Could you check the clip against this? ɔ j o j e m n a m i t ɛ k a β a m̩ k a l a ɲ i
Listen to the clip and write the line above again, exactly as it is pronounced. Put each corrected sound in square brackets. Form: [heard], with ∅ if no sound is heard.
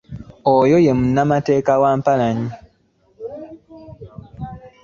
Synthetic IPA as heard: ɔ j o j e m n a m [a] t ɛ k a [w] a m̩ [p] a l a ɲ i